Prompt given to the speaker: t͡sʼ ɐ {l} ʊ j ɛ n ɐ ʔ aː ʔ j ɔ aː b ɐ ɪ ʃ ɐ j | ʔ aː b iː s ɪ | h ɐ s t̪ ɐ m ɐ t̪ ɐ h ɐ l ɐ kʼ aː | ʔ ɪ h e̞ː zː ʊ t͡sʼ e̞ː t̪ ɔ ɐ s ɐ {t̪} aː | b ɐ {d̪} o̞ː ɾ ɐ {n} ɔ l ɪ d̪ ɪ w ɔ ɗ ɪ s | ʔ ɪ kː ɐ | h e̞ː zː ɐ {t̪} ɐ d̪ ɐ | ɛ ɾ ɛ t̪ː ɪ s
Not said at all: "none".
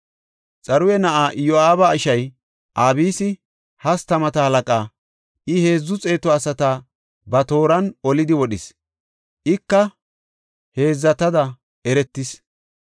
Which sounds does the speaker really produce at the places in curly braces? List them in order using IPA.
ɾ, t̪, t̪, n, t̪

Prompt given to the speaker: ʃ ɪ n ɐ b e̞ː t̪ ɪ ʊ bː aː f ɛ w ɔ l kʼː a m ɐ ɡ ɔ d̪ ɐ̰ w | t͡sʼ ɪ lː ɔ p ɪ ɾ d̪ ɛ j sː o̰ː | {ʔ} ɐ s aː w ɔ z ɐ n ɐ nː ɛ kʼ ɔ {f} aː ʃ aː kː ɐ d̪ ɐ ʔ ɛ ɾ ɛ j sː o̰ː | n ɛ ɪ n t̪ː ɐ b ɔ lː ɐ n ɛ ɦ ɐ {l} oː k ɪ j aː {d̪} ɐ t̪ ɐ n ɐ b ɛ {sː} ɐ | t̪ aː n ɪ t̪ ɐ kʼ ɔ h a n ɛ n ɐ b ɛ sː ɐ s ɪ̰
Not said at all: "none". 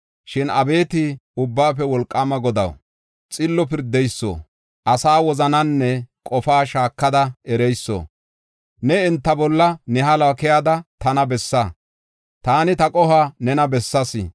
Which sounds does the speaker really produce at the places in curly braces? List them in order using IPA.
ʔ, f, l, d̪, sː

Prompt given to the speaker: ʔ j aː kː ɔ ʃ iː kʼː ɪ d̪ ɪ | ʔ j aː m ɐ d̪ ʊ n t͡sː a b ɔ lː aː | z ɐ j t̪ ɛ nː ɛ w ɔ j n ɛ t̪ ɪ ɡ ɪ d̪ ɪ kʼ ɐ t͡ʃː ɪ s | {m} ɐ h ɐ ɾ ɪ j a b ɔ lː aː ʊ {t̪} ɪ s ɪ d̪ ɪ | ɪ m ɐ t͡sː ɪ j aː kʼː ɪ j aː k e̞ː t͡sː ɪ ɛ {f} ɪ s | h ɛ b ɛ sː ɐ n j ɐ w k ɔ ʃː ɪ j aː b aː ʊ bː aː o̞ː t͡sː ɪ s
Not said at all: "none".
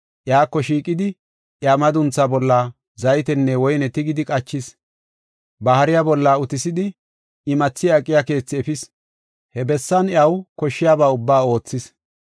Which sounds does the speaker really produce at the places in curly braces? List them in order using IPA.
b, t̪, f

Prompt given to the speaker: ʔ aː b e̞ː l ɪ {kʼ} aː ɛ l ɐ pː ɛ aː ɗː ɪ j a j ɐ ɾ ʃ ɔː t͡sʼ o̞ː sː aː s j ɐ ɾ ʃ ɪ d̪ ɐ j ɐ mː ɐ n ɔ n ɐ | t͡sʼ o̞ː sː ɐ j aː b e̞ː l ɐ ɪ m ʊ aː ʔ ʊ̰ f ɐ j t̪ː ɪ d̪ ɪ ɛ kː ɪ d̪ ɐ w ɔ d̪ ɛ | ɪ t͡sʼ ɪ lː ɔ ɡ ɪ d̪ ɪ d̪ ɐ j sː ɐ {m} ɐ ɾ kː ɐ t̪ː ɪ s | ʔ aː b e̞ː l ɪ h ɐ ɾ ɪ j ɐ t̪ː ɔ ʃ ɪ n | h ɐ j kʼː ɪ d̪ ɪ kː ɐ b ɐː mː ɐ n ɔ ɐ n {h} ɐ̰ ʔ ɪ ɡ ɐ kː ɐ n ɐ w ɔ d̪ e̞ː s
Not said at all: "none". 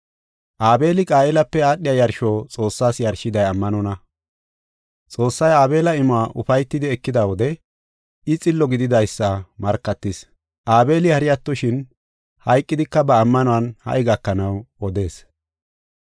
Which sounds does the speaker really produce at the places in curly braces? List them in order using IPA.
kʼ, m, h

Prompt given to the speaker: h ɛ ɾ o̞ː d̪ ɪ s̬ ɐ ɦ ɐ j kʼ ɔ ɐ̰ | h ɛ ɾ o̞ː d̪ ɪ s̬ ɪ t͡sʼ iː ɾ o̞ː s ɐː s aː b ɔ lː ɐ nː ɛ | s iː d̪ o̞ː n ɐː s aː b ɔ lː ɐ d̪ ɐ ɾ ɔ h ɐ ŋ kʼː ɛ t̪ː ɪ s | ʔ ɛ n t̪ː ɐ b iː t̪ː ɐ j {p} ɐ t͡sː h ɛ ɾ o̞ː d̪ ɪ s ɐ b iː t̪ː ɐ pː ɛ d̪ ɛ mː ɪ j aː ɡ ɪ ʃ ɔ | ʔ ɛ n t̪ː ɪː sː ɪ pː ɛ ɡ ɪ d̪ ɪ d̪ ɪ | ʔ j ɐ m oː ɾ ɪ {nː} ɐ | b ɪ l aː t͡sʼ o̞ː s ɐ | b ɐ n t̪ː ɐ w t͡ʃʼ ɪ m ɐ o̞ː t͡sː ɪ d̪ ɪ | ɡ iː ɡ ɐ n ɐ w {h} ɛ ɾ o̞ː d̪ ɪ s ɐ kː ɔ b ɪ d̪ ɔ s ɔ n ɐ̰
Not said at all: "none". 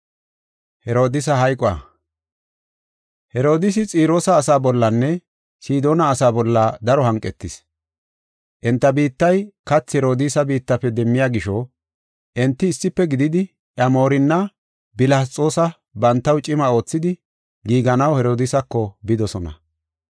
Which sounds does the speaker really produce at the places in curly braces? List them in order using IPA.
k, nː, h

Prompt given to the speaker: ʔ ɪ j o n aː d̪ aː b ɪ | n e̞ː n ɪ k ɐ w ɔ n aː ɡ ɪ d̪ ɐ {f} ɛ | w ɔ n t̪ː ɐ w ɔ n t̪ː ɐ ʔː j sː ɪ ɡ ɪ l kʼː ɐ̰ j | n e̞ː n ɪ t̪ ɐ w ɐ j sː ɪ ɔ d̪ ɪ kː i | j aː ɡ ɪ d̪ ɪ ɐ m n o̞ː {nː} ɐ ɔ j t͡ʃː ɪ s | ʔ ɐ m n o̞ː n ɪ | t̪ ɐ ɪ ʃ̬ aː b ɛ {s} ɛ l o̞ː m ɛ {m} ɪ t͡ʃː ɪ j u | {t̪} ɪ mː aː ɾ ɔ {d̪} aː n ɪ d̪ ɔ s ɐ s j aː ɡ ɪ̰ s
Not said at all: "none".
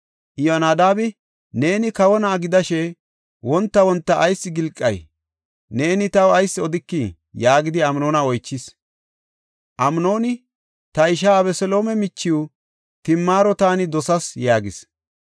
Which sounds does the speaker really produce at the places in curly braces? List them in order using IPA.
ʃ, n, s, m, t̪, t̪

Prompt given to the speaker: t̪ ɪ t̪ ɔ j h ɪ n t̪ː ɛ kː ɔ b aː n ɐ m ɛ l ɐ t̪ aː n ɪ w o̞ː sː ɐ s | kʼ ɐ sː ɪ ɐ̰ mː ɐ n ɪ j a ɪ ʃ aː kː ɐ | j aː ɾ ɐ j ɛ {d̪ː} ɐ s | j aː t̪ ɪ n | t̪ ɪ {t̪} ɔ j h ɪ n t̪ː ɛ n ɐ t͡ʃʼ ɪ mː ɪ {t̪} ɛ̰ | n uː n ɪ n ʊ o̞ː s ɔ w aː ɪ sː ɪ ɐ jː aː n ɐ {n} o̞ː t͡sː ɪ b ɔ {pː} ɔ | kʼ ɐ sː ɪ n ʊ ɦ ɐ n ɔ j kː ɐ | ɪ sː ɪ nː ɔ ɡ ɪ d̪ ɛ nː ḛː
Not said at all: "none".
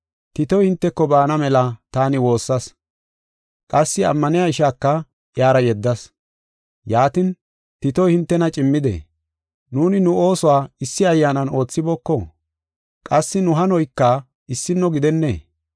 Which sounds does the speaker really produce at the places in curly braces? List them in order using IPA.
d̪ː, t̪, d̪, n, kː

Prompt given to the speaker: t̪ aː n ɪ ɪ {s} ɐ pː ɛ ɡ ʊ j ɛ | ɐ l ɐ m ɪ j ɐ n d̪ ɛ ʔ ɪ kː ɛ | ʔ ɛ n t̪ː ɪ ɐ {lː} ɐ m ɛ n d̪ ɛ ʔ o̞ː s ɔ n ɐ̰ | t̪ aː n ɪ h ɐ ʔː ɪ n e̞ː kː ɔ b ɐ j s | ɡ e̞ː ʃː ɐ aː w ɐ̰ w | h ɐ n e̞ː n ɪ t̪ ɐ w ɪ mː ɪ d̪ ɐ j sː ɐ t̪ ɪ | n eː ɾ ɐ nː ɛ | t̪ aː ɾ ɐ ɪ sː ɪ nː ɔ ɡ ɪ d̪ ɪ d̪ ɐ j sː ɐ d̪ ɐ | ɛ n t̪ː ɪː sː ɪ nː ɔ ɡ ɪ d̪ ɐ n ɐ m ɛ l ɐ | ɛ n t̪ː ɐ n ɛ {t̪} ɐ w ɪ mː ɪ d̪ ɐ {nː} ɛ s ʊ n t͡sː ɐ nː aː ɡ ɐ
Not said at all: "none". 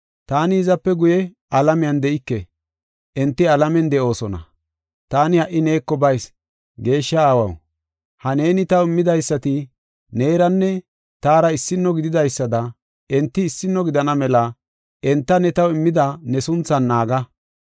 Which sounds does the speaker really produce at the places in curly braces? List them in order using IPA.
z, l, t̪, n

